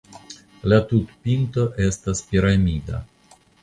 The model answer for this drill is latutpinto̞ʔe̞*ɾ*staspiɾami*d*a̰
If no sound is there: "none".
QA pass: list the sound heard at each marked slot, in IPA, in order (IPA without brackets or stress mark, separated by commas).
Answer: none, d